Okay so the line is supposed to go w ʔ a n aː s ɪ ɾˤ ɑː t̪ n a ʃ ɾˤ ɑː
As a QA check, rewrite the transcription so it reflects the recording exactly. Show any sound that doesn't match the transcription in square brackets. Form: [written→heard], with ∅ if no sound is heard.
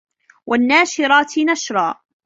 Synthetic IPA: w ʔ a [n→nː] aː [s→ʃ] ɪ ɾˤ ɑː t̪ n a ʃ ɾˤ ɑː